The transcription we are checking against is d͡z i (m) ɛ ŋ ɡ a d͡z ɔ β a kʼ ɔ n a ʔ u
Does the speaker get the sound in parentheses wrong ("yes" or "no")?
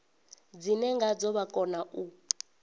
yes